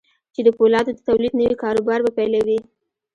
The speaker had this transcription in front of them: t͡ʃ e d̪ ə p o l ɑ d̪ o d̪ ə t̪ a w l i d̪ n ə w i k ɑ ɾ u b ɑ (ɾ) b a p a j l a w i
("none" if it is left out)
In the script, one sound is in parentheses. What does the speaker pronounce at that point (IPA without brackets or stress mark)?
ɾ